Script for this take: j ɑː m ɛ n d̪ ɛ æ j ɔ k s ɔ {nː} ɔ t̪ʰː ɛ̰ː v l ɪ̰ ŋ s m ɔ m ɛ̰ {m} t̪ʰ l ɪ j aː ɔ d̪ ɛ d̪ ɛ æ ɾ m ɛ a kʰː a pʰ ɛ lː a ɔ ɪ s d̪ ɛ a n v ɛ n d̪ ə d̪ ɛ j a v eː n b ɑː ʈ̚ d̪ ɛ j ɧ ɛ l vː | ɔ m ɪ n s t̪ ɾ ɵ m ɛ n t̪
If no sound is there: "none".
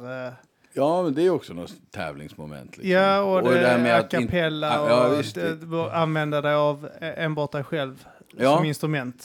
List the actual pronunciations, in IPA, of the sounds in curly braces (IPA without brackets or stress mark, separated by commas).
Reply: n, n